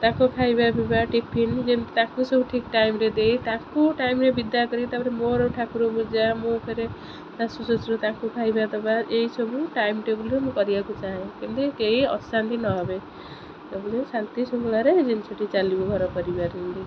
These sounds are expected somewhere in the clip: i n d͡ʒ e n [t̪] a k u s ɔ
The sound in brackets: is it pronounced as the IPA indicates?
yes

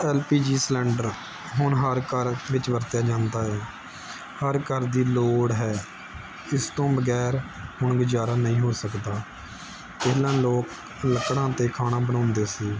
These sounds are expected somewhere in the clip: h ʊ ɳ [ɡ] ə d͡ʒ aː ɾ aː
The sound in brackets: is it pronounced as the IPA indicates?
yes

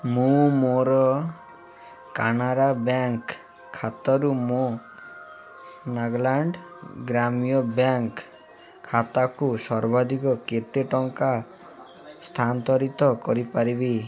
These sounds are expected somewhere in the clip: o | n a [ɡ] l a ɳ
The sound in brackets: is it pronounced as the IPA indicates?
yes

